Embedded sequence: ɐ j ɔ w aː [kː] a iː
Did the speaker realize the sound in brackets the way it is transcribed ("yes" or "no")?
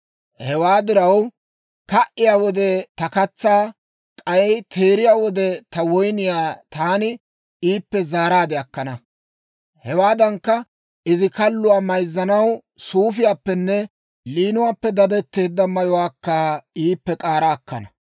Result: yes